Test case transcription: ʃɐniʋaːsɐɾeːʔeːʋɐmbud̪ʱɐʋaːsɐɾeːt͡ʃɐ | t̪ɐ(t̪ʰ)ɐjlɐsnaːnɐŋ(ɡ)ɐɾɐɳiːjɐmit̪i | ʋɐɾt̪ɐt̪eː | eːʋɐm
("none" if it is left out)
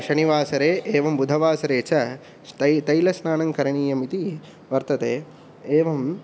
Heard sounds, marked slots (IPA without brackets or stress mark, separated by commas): t̪, k